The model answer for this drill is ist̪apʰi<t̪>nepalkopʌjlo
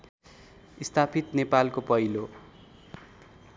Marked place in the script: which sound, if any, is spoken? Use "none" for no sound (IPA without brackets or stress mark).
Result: t̪